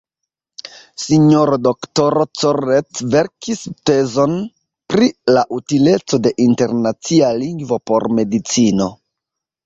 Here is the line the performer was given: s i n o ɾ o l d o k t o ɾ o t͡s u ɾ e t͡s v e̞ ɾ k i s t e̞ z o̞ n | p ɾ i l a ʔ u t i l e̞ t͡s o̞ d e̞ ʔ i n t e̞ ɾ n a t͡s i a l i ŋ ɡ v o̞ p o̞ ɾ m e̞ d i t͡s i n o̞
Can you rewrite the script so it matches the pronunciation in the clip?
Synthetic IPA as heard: s i ɲ o ɾ o d o k t o ɾ o t͡s o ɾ e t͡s v e̞ ɾ k i s t e̞ z o̞ n | p ɾ i l a ʔ u t i l e̞ t͡s o̞ d e̞ ʔ i n t e̞ ɾ n a t͡s i a l i ŋ ɡ v o̞ p o̞ ɾ m e̞ d i t͡s i n o̞